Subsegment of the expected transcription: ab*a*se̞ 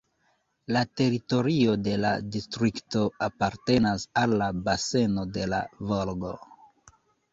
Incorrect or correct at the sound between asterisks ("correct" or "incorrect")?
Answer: correct